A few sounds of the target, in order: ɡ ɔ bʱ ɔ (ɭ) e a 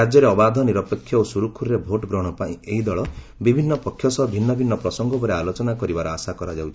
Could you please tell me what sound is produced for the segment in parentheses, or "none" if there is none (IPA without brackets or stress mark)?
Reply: ɾ